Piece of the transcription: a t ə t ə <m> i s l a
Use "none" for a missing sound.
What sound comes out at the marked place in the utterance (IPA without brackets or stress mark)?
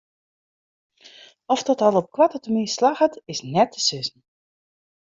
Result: m